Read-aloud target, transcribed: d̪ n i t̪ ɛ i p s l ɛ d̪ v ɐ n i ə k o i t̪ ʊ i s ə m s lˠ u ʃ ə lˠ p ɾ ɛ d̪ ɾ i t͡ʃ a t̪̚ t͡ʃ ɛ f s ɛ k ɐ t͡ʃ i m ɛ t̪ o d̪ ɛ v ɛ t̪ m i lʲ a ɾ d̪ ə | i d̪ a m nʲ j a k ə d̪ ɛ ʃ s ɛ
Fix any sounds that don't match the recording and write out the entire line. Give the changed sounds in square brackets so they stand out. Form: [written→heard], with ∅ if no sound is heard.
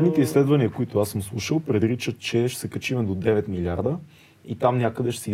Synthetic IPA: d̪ n i t̪ ɛ i [p→∅] s l ɛ d̪ v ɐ n i ə k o i t̪ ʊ [i→a] s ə m s lˠ u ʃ ə lˠ p ɾ ɛ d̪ ɾ i t͡ʃ [a→ə] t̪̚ t͡ʃ ɛ [f→ʃ] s ɛ k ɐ t͡ʃ i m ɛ [t̪→d̪] o d̪ ɛ v ɛ t̪ m i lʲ a ɾ d̪ ə | i [d̪→t̪] a m nʲ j a k ə d̪ ɛ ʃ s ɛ